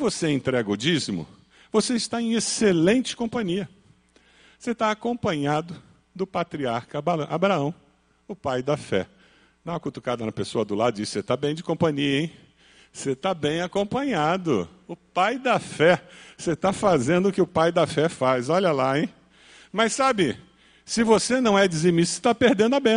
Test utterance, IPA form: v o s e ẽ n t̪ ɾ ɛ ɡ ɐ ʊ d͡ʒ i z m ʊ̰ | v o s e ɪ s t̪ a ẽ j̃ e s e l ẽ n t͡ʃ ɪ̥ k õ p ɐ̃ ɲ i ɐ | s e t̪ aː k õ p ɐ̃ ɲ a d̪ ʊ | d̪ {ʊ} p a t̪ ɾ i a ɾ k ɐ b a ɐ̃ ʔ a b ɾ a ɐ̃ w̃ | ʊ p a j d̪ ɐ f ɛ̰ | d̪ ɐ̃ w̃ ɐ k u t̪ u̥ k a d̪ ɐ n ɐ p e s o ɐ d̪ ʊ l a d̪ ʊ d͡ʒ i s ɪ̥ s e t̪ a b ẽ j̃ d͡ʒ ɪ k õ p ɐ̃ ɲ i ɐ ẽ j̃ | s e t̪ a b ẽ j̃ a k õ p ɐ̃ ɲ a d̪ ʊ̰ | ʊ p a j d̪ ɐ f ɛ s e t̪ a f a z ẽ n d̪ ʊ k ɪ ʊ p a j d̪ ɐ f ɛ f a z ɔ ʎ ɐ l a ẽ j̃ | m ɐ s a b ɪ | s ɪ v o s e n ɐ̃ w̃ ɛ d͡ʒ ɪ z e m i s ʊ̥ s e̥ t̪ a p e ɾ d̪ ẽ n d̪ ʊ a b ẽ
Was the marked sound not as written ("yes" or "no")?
no